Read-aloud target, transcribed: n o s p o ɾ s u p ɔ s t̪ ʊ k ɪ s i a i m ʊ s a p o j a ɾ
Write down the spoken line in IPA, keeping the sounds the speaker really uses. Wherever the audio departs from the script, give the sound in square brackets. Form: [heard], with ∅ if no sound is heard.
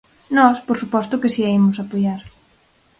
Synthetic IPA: n [ɔ] s p o ɾ s u p ɔ s t̪ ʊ k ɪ s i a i m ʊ s a p o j a ɾ